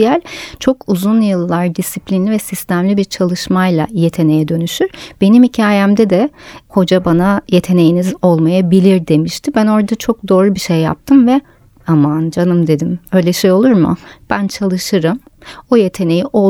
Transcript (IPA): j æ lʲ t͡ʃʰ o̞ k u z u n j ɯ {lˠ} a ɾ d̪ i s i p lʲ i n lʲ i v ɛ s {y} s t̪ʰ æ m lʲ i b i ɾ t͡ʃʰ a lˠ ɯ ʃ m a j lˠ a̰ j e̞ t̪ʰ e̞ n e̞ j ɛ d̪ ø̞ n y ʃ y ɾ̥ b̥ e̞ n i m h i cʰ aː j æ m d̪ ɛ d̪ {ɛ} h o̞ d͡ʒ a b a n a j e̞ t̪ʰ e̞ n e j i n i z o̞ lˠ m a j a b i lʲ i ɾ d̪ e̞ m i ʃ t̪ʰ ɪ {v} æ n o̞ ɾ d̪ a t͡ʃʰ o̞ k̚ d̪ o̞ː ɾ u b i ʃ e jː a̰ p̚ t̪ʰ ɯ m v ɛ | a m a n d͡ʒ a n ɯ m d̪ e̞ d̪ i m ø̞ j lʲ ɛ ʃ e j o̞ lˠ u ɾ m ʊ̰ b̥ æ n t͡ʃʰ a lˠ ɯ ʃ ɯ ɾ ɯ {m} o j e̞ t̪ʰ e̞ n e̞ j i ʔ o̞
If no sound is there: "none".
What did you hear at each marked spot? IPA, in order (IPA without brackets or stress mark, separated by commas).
lˠː, i, ɛ, b, m